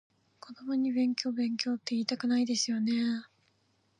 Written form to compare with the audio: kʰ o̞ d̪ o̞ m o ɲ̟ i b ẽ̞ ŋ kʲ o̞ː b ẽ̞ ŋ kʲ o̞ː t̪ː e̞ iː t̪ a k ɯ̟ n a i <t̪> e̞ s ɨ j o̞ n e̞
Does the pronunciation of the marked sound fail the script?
yes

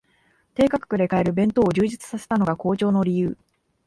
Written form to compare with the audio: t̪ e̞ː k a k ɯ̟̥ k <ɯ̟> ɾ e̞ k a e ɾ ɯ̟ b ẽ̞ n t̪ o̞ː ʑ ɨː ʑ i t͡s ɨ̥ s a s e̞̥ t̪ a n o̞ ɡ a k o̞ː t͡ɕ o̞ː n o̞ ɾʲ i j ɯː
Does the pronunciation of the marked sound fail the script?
no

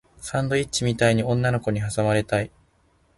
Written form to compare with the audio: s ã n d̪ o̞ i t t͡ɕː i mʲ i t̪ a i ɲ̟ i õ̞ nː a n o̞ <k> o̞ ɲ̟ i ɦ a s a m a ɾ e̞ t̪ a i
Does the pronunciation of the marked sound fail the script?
no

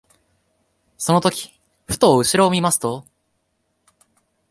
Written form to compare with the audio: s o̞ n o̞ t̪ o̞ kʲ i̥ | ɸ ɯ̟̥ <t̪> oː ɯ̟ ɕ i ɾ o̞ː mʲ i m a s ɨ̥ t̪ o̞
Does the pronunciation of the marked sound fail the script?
no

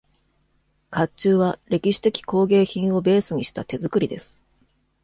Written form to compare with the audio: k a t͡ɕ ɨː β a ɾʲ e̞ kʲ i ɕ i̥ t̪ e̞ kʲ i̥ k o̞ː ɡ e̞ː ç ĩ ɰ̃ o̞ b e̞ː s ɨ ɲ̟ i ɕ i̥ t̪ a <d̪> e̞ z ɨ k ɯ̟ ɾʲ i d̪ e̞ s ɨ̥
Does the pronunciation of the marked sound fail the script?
yes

